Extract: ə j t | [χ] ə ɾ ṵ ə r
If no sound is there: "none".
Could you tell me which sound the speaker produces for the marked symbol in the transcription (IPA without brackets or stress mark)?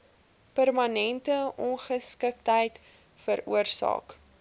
f